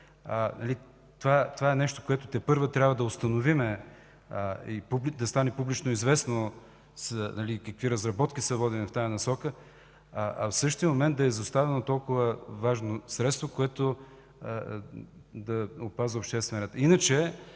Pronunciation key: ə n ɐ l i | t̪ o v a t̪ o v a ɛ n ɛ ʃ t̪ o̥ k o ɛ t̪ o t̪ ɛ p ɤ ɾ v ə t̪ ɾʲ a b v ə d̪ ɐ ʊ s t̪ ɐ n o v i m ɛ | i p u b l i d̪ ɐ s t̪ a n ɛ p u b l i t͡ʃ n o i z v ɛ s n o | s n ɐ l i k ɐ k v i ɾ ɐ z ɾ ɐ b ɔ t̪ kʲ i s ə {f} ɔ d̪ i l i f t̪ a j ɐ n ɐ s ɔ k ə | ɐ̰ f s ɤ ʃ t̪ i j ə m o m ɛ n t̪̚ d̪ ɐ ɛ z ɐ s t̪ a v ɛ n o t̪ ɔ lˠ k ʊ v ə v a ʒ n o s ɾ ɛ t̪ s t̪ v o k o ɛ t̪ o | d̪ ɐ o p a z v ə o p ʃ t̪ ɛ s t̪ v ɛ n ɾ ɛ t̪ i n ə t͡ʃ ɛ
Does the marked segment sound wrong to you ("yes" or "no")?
yes